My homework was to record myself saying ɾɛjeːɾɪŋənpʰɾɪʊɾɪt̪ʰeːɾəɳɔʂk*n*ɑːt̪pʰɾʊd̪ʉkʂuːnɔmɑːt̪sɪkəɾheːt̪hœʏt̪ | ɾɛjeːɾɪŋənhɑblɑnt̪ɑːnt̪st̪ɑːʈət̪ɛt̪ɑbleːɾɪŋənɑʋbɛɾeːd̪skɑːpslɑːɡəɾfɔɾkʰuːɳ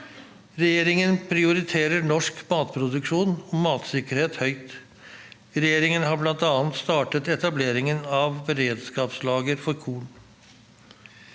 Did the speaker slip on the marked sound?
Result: yes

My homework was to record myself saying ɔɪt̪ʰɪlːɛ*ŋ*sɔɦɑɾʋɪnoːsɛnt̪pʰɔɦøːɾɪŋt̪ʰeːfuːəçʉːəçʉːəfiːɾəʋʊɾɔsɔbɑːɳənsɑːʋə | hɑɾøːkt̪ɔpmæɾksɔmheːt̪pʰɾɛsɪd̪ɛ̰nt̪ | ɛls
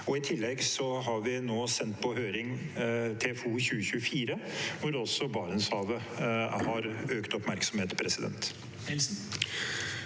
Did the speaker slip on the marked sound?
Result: yes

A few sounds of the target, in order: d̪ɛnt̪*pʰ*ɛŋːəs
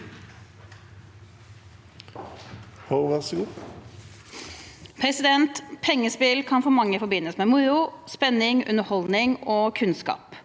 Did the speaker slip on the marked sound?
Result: no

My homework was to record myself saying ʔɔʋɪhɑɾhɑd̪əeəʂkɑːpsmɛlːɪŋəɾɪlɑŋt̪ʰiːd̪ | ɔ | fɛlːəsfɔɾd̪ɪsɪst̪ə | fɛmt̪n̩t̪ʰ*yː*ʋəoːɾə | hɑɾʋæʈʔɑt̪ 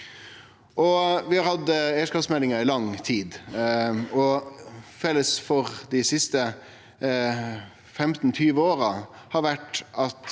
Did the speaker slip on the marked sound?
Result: no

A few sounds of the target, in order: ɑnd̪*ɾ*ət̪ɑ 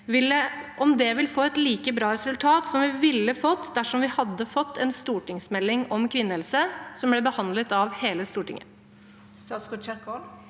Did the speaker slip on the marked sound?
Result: yes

